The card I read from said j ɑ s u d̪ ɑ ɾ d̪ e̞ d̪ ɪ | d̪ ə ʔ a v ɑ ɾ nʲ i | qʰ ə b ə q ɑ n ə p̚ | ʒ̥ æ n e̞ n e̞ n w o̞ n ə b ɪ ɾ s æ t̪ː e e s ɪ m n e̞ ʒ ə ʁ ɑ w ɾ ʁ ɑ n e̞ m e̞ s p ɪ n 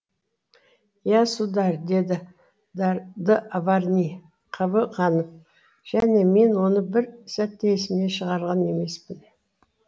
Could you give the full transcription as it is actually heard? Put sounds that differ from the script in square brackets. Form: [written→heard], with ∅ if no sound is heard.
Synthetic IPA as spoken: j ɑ s u d̪ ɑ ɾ d̪ e̞ d̪ ɪ | d̪ ə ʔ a v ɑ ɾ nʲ i | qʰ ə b ə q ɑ n ə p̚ | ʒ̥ æ n e̞ [n→m] e̞ n w o̞ n ə b ɪ ɾ s æ t̪ː e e s ɪ m n e̞ [ʒ→ʃ] ə ʁ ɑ [w→∅] ɾ ʁ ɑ n e̞ m e̞ s p ɪ n